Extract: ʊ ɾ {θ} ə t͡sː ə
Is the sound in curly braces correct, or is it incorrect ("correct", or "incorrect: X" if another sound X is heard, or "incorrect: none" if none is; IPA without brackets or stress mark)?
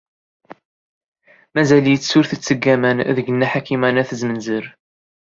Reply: correct